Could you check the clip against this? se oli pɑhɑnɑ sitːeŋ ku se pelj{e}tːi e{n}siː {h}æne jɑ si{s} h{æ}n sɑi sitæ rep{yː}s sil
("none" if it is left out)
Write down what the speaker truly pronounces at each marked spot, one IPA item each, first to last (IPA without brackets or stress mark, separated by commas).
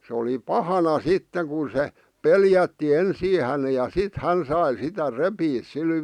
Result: æ, n, h, t, æ, iː